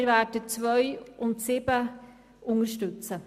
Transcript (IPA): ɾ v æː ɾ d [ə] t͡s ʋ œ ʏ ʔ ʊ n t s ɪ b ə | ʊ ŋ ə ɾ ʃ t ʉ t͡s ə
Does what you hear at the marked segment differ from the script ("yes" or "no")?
no